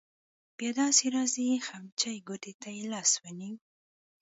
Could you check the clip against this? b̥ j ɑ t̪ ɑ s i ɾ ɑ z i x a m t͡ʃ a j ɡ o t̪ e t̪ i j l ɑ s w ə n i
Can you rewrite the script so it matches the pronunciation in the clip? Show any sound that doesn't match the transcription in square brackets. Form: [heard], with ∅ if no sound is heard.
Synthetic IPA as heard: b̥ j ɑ [d̪] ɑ s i ɾ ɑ z i x a m t͡ʃ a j ɡ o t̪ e t̪ [a] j l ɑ s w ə n i